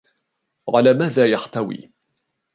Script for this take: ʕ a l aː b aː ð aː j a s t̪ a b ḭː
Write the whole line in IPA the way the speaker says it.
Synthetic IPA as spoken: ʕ a l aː m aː ð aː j a ħ t̪ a w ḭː